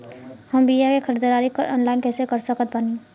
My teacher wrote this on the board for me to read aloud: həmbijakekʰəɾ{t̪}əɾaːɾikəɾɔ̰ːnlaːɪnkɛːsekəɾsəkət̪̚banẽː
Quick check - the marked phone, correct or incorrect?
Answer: incorrect